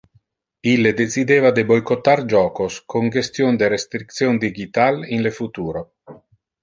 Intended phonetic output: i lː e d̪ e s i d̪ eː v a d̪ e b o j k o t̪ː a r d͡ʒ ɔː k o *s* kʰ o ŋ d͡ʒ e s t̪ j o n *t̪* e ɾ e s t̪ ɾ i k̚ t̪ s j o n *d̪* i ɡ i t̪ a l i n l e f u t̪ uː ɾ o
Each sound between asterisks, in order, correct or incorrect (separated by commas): correct, incorrect, correct